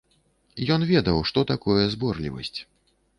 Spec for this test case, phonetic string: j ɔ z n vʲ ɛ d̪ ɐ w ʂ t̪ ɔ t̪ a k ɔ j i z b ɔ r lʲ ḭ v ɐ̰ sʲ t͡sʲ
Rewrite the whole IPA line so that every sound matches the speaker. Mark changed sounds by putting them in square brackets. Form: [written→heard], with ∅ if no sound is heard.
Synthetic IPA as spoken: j ɔ [z→∅] n vʲ ɛ d̪ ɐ w ʂ t̪ ɔ t̪ a k ɔ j [i→ɛ] z b ɔ r lʲ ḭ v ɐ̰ sʲ t͡sʲ